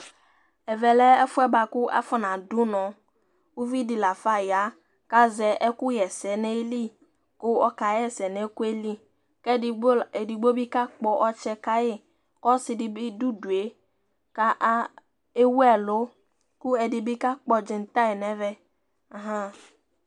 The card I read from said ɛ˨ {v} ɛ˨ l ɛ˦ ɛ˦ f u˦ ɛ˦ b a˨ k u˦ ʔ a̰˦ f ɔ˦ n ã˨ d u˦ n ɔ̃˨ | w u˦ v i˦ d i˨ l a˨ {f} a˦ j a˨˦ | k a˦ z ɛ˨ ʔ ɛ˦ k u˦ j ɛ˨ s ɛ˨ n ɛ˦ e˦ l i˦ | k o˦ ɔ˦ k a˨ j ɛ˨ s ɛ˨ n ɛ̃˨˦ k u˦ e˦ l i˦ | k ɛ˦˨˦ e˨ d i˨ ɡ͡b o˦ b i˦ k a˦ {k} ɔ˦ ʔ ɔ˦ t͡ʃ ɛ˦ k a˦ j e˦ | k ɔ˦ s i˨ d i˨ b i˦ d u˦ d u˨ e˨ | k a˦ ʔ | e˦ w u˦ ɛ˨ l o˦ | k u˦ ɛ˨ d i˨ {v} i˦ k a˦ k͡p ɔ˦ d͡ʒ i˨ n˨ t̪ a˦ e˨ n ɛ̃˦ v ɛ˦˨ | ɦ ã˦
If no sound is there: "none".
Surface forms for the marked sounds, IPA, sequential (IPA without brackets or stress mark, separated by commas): v, f, k͡p, b